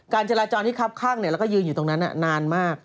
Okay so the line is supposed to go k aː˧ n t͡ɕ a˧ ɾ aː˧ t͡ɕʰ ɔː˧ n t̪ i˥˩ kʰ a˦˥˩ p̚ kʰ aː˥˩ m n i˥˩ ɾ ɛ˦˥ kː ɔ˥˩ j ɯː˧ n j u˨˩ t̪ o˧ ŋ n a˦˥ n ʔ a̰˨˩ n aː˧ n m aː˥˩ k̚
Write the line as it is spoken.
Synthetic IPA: k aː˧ n t͡ɕ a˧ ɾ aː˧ t͡ɕ ɔː˧ n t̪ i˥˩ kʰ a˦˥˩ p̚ kʰ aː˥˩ ŋ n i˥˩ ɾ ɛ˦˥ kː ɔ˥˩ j ɯː˧ n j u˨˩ t̪ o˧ ŋ n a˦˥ n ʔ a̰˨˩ n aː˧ n m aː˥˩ k̚